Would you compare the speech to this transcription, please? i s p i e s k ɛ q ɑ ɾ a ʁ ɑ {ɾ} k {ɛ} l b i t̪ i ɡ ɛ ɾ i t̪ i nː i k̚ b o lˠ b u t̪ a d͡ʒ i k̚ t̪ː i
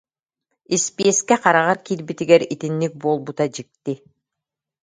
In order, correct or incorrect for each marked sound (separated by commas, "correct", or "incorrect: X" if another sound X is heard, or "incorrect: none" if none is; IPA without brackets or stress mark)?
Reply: correct, incorrect: i